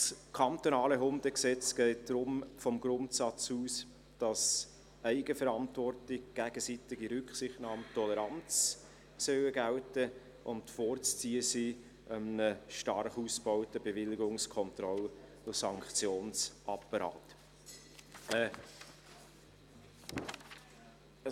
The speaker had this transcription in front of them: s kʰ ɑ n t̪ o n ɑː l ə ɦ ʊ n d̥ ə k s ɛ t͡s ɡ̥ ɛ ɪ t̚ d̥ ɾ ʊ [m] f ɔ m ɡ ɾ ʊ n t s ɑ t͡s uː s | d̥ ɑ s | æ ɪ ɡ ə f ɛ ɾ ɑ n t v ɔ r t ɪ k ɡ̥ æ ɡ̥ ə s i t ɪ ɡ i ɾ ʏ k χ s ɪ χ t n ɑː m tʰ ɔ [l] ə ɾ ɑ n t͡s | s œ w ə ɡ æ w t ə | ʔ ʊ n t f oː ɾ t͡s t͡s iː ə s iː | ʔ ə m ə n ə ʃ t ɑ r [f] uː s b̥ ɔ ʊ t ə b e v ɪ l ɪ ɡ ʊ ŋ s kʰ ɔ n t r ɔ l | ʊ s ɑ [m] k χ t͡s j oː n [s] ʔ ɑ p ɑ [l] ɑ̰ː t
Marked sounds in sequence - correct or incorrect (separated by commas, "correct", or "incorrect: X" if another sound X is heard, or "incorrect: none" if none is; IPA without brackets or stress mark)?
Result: correct, correct, incorrect: χ, incorrect: ŋ, correct, incorrect: ɾ